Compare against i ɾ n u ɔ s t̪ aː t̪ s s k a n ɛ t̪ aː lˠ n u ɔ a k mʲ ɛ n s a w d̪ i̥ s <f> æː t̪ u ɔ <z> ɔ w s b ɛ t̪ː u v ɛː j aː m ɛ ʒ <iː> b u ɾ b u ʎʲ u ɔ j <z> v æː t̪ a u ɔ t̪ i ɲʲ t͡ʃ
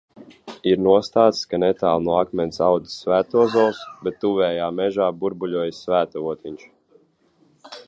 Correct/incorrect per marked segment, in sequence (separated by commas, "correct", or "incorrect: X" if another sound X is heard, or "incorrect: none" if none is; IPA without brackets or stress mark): incorrect: v, correct, incorrect: aː, incorrect: s